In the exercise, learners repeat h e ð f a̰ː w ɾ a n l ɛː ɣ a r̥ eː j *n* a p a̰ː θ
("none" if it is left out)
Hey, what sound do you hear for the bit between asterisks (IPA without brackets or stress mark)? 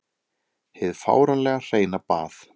n